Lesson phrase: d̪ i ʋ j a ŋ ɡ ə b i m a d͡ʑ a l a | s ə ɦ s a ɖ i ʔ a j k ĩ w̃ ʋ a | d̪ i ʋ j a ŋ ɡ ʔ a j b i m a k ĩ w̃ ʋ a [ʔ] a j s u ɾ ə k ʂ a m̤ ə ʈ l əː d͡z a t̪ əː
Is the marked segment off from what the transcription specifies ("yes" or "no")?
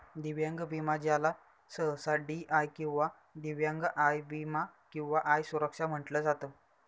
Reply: no